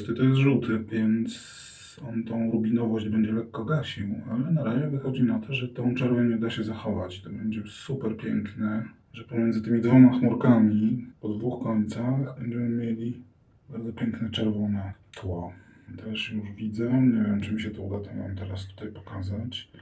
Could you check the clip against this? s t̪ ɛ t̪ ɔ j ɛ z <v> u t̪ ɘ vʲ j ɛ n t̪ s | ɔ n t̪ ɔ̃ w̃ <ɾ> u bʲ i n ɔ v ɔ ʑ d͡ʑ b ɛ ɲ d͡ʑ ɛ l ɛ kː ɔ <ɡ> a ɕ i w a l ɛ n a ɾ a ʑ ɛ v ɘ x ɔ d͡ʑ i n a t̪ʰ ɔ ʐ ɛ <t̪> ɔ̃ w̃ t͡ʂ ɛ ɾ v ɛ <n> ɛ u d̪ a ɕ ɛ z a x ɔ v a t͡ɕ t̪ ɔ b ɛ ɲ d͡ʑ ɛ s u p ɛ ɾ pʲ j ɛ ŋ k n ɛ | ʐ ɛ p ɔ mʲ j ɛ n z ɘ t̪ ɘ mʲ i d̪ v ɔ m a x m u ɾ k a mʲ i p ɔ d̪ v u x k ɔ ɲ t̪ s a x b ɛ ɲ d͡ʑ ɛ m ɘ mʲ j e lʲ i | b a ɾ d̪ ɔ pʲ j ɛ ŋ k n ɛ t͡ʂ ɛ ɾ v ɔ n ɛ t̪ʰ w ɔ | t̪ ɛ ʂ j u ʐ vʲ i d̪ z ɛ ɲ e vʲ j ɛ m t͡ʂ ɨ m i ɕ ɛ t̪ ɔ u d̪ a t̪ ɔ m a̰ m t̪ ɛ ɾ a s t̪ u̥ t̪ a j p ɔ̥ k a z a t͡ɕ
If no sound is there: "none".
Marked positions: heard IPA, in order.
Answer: ʐ, ɾ, ɡ, t̪, ɲ

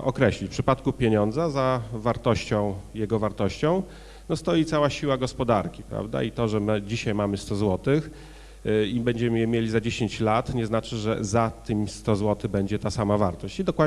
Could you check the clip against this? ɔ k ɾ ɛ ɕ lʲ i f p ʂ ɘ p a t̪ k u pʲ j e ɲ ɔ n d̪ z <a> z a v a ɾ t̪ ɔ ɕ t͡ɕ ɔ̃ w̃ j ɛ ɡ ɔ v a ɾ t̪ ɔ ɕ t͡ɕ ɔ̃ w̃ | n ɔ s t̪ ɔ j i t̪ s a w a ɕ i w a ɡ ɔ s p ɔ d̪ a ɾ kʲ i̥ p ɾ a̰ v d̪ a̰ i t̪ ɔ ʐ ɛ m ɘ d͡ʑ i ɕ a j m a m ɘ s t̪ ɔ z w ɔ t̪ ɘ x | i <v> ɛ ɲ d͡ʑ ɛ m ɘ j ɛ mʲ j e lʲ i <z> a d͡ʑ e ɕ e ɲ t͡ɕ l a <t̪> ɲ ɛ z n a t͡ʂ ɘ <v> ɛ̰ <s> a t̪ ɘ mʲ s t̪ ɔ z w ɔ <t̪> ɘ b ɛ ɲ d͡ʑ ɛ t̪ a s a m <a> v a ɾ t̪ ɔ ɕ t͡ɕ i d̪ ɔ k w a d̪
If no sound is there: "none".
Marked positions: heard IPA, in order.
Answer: a, b, z, t̪, ʐ, z, t̪, a

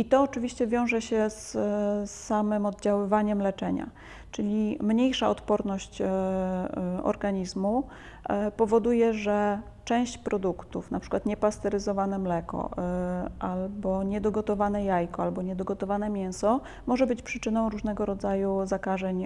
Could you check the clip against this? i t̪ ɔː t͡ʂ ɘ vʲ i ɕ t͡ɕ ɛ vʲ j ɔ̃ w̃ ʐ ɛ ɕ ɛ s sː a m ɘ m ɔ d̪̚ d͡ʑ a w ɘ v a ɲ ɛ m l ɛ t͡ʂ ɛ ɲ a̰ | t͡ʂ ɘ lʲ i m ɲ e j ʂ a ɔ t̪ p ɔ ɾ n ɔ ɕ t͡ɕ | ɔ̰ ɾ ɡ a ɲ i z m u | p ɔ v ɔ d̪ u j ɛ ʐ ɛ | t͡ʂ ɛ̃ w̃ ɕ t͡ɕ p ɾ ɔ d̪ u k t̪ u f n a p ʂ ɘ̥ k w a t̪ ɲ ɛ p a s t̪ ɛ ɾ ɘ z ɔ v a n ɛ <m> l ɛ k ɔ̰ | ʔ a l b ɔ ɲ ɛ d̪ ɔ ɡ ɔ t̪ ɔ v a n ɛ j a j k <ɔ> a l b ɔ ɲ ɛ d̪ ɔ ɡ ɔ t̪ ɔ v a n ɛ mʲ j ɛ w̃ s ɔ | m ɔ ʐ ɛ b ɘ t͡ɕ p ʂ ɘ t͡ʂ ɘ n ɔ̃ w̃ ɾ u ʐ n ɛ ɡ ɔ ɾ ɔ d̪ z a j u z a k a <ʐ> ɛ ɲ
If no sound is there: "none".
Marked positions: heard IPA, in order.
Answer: m, ɔ, ʐ

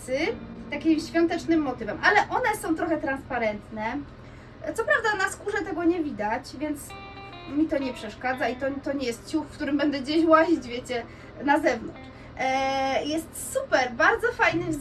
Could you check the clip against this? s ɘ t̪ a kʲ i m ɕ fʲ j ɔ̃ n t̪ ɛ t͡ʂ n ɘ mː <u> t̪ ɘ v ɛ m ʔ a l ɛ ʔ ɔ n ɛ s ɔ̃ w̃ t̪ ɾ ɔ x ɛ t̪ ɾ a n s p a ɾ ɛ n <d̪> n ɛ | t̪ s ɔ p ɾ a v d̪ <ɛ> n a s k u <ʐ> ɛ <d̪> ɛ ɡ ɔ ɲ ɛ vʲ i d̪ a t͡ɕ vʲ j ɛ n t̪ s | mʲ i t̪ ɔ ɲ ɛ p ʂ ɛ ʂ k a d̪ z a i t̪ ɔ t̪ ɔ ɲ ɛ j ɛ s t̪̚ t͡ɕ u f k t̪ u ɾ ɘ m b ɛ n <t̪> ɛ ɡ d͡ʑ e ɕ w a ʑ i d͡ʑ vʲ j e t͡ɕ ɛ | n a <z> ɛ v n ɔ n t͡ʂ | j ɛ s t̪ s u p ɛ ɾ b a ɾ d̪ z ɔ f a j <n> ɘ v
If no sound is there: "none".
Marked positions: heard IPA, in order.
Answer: ɔ, t̪, a, ʐ, t̪, d̪, z, n

